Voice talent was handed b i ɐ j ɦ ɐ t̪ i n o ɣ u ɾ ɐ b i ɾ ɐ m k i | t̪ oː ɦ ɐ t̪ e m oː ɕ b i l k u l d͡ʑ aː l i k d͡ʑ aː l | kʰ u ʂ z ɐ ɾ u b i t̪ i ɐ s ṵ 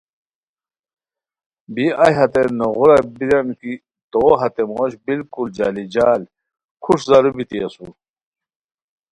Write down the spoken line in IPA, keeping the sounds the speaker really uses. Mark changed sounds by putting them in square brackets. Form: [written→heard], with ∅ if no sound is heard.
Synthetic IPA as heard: b i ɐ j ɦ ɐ t̪ [i→e] n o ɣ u ɾ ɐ b i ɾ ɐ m k i | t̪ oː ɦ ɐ t̪ e m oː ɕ b i l k u l d͡ʑ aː l i [k→∅] d͡ʑ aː l | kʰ u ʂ z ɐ ɾ u b i t̪ i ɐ s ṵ